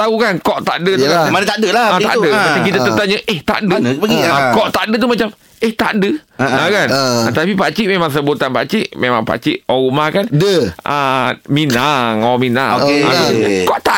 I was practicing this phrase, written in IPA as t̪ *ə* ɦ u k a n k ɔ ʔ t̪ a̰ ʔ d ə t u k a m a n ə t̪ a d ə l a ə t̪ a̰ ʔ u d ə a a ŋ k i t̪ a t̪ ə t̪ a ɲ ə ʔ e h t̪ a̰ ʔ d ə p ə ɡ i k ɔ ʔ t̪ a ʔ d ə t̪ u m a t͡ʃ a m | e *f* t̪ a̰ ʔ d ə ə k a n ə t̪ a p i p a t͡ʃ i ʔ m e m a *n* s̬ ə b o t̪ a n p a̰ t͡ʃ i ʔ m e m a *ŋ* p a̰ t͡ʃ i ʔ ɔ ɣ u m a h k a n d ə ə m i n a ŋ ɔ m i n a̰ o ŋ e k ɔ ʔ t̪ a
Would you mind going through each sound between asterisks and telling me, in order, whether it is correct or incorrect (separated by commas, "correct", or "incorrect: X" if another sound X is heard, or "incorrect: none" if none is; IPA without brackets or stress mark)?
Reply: incorrect: a, incorrect: h, incorrect: ŋ, correct